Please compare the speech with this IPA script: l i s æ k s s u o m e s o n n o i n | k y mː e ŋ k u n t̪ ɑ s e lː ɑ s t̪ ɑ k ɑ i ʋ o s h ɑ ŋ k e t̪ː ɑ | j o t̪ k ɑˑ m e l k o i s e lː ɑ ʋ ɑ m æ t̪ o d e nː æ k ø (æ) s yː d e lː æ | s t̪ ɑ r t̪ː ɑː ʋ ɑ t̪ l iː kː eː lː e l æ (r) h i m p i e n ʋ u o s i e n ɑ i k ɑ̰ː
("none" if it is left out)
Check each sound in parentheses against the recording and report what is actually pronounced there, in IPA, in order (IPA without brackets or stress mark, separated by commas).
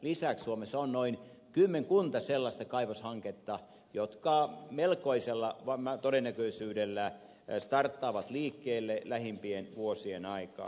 i, none